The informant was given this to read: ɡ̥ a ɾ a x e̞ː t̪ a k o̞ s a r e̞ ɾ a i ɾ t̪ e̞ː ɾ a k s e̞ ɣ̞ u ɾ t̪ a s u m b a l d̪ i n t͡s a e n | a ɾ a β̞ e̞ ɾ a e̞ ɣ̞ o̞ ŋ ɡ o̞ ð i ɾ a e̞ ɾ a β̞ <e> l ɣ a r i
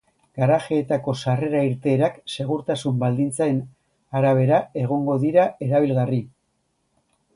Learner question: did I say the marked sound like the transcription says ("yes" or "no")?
no